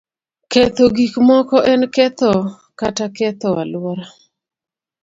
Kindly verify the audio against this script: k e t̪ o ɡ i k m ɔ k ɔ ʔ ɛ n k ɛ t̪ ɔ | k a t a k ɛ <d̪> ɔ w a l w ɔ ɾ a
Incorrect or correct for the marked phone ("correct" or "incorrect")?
incorrect